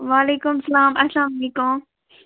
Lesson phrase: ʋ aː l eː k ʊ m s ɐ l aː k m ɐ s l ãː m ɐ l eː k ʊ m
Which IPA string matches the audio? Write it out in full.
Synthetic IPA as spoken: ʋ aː l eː k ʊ m s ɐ l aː m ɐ s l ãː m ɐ l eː k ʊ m